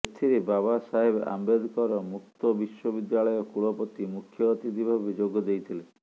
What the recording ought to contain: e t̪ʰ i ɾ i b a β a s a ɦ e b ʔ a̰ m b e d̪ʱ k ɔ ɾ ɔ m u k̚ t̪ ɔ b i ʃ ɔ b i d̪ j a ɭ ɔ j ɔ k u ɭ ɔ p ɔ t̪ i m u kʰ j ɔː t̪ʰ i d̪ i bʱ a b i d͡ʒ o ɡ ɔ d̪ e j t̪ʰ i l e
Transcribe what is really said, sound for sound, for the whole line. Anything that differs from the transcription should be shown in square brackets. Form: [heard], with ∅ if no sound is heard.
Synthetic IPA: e t̪ʰ i ɾ [e] b a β a s a ɦ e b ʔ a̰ m b e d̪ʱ k ɔ ɾ ɔ m u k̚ t̪ ɔ b i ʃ ɔ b i d̪ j a ɭ ɔ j ɔ k u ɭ ɔ p ɔ t̪ i m u kʰ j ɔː [t̪] i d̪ i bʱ a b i d͡ʒ o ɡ ɔ d̪ e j t̪ʰ i l e